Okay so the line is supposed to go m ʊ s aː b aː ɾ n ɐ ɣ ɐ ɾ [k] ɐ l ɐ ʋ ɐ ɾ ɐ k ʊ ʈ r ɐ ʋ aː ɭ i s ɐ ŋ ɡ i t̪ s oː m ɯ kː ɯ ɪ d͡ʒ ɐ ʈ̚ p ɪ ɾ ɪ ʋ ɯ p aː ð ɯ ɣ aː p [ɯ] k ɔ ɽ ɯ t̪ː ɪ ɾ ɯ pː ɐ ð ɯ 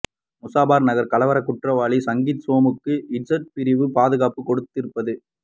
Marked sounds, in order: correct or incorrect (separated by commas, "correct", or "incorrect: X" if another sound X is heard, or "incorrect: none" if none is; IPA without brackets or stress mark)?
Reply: correct, correct